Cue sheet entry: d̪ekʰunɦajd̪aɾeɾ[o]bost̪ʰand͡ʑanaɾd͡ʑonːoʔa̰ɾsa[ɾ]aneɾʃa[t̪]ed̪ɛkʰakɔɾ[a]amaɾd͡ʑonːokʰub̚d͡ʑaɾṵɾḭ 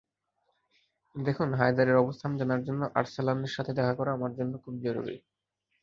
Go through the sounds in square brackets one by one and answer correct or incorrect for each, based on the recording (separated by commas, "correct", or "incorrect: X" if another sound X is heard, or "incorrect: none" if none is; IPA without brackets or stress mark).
incorrect: ɔ, incorrect: l, incorrect: t̪ʰ, correct